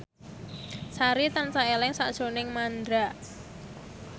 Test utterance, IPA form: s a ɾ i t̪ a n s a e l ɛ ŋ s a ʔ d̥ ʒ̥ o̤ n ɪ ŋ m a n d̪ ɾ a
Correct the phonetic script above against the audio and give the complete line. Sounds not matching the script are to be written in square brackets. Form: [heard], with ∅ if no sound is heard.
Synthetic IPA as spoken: s a ɾ i t̪ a n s a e l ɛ ŋ s a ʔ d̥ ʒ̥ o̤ n ɪ ŋ m a n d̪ ɾ a